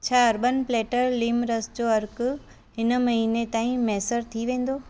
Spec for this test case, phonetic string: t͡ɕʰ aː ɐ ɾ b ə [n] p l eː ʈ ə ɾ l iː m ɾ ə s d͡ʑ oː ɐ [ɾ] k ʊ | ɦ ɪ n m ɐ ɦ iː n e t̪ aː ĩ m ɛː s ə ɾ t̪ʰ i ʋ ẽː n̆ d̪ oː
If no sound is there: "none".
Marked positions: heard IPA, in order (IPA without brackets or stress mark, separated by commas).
n, ɾ